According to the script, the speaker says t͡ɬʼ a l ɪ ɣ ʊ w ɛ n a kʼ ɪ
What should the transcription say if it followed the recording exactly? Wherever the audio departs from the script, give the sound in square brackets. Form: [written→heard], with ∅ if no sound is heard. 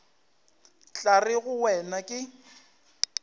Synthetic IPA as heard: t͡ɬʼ a [l→r] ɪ ɣ ʊ w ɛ n a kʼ ɪ